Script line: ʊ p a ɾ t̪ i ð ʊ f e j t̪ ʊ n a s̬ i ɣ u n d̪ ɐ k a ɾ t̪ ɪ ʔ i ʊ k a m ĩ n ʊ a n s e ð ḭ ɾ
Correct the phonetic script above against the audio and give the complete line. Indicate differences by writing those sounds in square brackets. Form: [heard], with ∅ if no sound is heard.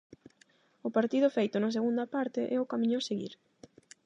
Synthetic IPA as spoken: ʊ p a ɾ t̪ i ð ʊ f e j t̪ ʊ n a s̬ [e] ɣ u n d̪ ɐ [p] a ɾ t̪ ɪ ʔ [ɛ] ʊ k a m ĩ [ɲ] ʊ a [∅] s e [ɣ] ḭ ɾ